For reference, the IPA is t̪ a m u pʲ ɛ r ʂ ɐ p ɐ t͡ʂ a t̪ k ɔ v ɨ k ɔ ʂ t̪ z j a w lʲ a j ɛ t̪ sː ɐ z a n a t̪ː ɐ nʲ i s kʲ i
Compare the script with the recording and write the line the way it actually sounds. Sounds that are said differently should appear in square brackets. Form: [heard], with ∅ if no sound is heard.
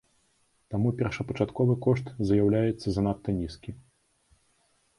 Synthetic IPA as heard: t̪ a m u pʲ ɛ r ʂ ɐ p ɐ t͡ʂ a t̪ k ɔ v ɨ k ɔ ʂ t̪ z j a w lʲ a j ɛ t̪ sː ɐ z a n a t̪ː ɐ nʲ i s kʲ i